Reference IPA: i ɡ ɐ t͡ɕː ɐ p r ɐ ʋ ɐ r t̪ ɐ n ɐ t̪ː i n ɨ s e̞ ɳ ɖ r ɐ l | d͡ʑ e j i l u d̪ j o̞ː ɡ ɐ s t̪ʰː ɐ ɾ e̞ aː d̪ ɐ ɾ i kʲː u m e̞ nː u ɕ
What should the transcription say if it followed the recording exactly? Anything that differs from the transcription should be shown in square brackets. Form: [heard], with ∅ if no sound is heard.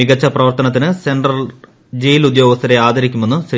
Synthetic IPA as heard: i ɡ ɐ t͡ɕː ɐ p r ɐ ʋ ɐ r t̪ ɐ n ɐ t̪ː i n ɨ s e̞ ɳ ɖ r ɐ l | d͡ʑ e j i l u d̪ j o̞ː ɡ ɐ s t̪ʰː ɐ ɾ e̞ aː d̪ ɐ ɾ i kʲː u m e̞ nː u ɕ